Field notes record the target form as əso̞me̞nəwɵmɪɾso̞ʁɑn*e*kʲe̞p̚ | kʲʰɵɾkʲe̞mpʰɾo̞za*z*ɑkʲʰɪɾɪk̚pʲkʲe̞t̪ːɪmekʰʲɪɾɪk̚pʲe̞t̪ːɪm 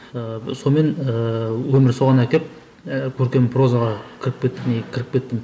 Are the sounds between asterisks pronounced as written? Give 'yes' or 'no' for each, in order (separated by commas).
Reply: no, no